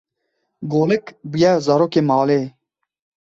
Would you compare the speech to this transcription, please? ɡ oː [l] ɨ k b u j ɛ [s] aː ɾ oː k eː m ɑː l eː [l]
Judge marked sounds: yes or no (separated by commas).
yes, no, no